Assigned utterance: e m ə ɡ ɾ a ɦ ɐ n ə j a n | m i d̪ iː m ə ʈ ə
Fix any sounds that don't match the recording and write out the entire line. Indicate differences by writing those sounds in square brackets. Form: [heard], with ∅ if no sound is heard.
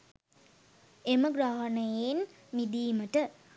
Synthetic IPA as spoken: e m ə ɡ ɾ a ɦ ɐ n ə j [e] n | m i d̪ iː m ə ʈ ə